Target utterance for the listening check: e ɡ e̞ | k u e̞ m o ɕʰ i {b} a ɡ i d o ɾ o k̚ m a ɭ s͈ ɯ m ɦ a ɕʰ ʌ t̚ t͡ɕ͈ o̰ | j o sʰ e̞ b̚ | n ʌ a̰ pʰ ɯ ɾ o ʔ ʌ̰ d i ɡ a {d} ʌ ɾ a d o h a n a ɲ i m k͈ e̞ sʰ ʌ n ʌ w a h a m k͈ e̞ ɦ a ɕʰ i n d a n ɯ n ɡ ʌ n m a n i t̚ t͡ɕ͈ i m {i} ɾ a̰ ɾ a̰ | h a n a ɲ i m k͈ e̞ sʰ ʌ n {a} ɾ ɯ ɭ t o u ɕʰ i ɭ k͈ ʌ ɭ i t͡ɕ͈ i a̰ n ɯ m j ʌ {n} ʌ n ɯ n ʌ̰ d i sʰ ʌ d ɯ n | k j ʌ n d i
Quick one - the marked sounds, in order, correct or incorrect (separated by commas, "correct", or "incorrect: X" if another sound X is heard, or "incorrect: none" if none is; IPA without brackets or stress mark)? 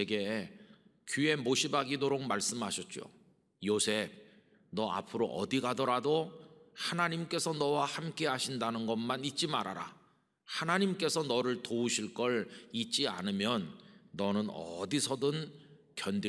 correct, correct, incorrect: a, incorrect: ʌ, incorrect: nː